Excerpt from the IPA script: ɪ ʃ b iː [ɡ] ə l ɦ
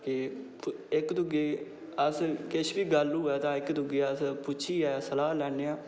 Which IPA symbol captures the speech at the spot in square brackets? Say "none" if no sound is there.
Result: ɡ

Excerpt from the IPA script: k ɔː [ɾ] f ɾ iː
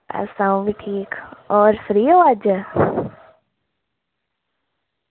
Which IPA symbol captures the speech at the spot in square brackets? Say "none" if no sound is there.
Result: ɾ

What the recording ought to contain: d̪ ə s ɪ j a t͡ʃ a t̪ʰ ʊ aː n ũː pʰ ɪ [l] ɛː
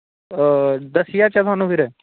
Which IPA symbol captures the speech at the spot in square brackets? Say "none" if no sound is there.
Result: ɾ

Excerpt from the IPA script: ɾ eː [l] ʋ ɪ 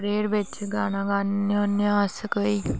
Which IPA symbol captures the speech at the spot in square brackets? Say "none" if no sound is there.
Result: ɾ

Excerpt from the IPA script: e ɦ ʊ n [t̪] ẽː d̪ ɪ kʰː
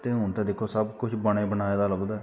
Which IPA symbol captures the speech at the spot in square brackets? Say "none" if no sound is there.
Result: t̪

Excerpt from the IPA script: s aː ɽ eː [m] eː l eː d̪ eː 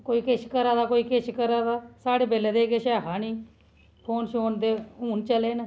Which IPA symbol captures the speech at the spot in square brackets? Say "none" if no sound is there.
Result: b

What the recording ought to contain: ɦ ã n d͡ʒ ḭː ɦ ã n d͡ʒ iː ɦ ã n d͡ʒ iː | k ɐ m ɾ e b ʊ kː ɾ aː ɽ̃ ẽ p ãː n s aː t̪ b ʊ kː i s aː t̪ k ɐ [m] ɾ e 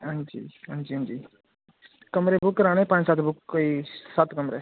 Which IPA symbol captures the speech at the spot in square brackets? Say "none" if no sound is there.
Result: m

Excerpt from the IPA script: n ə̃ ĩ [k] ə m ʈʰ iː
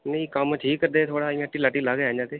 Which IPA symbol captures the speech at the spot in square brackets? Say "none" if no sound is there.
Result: k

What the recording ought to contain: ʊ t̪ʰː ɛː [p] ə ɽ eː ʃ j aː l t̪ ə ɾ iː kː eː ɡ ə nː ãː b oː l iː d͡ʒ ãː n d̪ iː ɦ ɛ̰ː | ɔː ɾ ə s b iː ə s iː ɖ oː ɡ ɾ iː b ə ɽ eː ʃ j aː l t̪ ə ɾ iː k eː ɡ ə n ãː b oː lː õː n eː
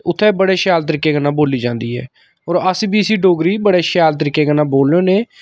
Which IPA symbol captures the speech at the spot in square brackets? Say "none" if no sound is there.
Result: b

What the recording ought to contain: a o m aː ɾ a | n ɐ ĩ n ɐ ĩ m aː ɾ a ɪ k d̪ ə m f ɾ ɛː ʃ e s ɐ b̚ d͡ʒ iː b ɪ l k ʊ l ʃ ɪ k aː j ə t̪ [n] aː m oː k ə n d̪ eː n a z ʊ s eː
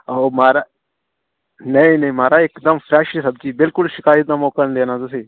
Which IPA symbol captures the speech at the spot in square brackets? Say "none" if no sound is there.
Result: n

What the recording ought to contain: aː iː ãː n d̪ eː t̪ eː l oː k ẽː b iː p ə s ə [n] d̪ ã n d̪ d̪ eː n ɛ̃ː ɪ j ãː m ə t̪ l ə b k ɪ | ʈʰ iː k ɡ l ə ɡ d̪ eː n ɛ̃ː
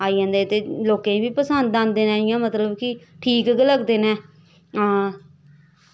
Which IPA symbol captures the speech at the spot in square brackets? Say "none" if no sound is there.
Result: n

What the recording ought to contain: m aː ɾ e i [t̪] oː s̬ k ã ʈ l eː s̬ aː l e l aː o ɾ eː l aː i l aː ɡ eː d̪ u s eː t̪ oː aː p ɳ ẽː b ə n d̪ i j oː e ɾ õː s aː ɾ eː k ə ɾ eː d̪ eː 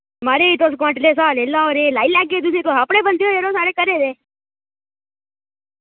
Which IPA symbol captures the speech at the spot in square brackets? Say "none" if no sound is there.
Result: t̪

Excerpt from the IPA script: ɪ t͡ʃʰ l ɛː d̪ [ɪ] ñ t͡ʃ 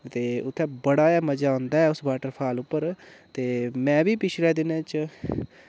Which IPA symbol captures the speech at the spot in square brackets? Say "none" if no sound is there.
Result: ɪ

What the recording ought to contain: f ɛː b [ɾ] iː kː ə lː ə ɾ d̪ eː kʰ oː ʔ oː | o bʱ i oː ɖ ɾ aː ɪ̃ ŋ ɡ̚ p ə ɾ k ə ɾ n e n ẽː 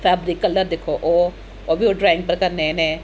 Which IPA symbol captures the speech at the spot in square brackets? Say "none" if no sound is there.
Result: ɾ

